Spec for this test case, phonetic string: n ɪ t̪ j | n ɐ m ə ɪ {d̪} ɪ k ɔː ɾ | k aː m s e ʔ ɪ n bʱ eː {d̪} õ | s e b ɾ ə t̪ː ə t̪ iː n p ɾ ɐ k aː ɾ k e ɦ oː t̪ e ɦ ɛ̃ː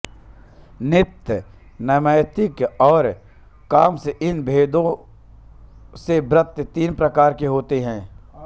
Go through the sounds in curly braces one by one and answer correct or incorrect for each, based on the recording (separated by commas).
incorrect, correct